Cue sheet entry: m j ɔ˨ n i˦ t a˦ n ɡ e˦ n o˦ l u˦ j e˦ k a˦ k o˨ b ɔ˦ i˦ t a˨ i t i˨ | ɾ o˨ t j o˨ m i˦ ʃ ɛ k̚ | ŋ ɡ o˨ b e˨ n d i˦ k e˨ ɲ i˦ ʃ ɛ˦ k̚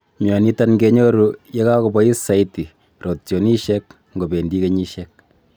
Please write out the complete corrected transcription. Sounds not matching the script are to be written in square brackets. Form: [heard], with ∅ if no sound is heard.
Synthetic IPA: m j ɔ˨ n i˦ t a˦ n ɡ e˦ [ɲ] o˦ [ɾ] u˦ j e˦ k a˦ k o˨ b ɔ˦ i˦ [s] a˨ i t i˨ | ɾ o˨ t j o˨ [n] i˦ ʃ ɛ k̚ | ŋ ɡ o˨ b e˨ n d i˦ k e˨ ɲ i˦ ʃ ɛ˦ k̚